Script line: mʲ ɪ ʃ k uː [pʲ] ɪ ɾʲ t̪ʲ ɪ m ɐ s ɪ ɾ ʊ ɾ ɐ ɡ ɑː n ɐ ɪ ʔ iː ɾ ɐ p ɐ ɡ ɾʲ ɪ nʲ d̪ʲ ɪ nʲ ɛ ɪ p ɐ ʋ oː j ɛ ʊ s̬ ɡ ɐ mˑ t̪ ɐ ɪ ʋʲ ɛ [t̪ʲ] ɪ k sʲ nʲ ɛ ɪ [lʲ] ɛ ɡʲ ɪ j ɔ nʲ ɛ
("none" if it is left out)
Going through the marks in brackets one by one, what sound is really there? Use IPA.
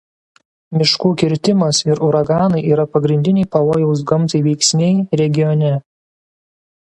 kʲ, none, ɾʲ

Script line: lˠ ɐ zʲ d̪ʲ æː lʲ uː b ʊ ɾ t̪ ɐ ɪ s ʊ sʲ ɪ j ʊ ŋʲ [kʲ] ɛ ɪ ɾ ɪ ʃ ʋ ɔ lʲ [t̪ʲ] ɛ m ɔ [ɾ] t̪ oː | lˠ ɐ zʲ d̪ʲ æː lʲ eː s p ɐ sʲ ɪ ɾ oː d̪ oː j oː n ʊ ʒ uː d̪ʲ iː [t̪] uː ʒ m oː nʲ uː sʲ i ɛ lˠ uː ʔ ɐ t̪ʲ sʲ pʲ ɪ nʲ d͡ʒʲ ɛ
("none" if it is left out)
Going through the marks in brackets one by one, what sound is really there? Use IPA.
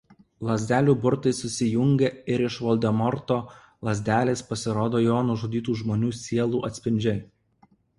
ɡʲ, d̪ʲ, ɾ, t̪

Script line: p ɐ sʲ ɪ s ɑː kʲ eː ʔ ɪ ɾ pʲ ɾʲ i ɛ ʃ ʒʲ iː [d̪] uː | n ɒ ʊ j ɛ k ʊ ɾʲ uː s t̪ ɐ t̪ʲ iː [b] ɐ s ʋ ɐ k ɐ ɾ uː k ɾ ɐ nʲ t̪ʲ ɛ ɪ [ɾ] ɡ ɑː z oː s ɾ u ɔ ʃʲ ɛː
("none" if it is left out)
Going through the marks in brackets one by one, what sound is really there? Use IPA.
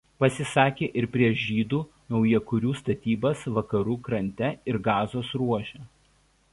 d̪, b, ɾ

